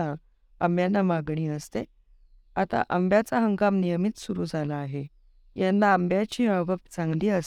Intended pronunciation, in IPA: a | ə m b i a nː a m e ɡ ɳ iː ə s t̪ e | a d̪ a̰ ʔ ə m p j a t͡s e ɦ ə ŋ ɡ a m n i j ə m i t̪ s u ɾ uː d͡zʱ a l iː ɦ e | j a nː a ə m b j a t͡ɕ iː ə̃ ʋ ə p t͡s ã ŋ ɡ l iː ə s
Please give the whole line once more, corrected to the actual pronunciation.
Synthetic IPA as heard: a | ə m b j a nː a m a ɡ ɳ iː ə s t̪ e | a t̪ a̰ ʔ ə m b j a t͡s a ɦ ə ŋ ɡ a m n i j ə m i t̪ s u ɾ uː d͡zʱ a l aː ɦ e | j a nː a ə m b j a t͡ɕ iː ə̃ ʋ ə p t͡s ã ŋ ɡ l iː ə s